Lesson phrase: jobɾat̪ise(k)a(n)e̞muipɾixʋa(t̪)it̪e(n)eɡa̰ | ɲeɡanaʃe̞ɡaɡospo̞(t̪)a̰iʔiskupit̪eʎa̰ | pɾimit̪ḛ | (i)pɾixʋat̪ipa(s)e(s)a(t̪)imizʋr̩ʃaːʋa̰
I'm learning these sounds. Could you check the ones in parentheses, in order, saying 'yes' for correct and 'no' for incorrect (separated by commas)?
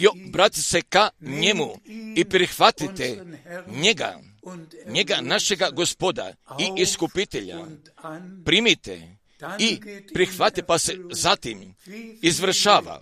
yes, no, yes, no, no, yes, yes, no, yes